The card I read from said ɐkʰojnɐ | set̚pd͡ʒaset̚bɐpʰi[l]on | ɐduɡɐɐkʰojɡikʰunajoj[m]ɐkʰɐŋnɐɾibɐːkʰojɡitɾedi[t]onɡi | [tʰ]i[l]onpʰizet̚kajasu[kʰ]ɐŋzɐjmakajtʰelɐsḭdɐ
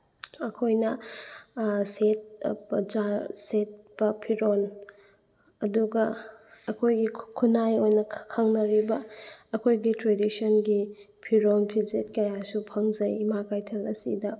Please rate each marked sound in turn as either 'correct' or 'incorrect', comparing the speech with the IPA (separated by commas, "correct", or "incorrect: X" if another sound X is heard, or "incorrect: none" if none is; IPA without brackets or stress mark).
incorrect: ɾ, incorrect: n, incorrect: s, incorrect: pʰ, incorrect: ɾ, incorrect: pʰ